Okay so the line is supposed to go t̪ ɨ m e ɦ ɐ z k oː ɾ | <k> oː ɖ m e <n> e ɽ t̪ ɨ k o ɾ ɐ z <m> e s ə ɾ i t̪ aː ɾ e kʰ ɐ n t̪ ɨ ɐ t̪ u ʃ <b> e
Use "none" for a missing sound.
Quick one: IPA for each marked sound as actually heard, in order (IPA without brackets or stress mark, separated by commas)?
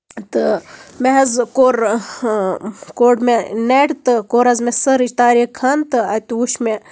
k, n, m, m